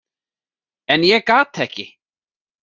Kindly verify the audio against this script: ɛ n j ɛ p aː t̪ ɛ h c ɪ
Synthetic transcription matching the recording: ɛ n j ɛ k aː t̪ ɛ h c ɪ